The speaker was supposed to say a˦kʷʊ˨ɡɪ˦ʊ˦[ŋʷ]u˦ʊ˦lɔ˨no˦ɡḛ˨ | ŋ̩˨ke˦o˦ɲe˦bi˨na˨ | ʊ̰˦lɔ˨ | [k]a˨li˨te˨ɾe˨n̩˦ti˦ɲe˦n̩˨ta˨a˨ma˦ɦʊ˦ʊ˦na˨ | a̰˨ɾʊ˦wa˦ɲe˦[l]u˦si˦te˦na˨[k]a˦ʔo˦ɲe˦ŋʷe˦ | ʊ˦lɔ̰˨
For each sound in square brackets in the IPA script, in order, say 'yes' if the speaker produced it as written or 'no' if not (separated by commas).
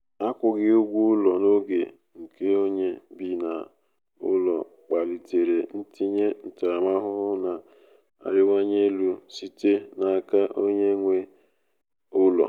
no, no, yes, yes